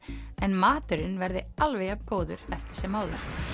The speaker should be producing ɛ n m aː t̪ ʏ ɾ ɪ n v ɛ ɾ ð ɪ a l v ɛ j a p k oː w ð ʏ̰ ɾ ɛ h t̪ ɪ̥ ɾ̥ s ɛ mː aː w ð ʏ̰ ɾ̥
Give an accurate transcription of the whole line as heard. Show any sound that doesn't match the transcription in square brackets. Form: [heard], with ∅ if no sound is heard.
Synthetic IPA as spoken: ɛ n m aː t̪ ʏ ɾ ɪ n v ɛ ɾ ð ɪ a l v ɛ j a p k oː w ð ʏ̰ ɾ ɛ [f] t̪ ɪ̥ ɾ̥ s ɛ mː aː w ð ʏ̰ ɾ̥